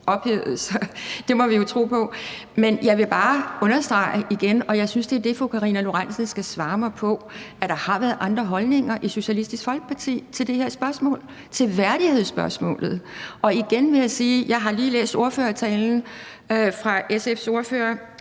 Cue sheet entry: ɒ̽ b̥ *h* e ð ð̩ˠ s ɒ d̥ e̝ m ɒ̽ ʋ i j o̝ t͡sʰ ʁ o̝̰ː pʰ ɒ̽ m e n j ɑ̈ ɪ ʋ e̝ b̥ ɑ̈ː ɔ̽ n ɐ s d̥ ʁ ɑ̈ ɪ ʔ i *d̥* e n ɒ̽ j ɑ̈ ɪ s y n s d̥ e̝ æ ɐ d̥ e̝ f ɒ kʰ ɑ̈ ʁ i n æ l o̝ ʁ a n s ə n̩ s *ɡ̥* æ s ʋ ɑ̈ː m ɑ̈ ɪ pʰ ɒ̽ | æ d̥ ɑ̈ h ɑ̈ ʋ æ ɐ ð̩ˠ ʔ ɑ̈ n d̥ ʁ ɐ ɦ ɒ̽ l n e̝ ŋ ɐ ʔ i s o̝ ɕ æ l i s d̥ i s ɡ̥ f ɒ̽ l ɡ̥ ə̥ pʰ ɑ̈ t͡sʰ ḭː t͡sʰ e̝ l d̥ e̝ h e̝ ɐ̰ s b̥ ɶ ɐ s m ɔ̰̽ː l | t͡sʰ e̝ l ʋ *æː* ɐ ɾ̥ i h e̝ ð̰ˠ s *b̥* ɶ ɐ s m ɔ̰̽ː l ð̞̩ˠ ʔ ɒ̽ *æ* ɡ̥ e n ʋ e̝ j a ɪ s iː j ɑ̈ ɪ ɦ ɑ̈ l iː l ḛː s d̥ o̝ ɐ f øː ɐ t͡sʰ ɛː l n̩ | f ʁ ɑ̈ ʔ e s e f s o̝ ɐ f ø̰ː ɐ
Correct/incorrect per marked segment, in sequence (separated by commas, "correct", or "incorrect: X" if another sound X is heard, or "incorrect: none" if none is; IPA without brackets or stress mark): correct, incorrect: ɡ̥, correct, incorrect: æ, correct, incorrect: i